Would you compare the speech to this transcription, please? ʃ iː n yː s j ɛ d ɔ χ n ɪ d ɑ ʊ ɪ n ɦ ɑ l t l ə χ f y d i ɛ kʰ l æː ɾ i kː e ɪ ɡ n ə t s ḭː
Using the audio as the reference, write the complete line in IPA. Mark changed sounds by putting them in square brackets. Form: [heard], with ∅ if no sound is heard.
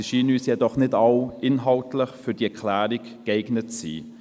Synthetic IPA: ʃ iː n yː s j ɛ d ɔ χ n ɪ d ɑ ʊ ɪ n ɦ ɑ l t l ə χ f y d i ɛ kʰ l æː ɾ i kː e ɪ ɡ n ə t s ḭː